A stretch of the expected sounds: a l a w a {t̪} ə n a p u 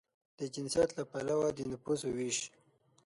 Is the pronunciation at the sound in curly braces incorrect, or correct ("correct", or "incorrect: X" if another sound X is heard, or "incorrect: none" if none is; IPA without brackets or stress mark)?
incorrect: d̪